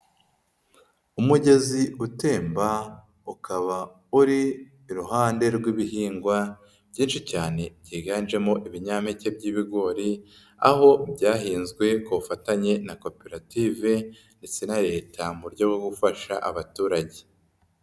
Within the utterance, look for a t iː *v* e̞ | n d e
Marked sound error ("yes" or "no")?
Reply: no